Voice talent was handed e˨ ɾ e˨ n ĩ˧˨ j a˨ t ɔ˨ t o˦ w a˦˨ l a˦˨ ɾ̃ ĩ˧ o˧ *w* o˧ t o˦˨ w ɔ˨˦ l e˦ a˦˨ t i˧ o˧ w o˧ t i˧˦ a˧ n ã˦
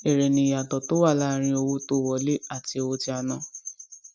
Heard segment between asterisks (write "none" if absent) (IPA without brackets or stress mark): w